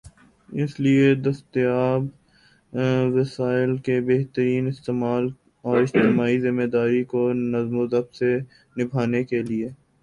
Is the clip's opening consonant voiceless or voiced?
voiceless